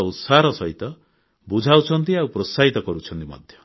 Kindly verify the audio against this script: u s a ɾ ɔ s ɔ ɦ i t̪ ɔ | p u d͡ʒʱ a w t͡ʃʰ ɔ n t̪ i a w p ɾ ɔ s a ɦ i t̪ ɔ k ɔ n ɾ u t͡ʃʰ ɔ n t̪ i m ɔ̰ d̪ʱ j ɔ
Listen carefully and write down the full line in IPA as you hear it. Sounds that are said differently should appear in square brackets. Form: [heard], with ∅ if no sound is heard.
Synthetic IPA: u s a ɾ ɔ s ɔ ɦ i t̪ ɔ | [b] u d͡ʒʱ a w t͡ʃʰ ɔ n t̪ i a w p ɾ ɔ s a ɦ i t̪ ɔ k ɔ [∅] ɾ u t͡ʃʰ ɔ n t̪ i m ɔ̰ d̪ʱ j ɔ